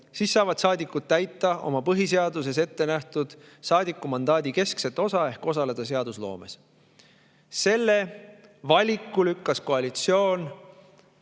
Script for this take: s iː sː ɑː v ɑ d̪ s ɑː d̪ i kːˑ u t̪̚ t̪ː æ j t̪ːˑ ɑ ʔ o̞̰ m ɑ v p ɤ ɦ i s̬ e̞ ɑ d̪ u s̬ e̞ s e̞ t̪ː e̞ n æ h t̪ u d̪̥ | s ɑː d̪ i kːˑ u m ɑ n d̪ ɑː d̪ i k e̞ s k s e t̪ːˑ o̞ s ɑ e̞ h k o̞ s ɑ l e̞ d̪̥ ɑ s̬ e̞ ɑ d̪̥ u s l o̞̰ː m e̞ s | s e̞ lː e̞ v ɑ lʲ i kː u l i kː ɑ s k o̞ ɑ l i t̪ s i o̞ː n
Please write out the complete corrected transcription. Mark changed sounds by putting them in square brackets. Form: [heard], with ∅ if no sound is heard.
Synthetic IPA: s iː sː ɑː v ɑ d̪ s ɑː d̪ i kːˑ u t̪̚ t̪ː æ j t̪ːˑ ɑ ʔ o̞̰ m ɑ [∅] p ɤ ɦ i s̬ e̞ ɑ d̪ u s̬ e̞ s e̞ t̪ː e̞ n æ h t̪ u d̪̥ | s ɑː d̪ i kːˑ u m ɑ n d̪ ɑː d̪ i k e̞ s k s e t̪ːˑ o̞ s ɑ e̞ h k o̞ s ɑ l e̞ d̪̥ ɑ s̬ e̞ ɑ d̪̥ u s l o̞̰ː m e̞ s | s e̞ lː e̞ v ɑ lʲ i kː u l [y] kː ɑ s k o̞ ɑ l i t̪ s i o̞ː n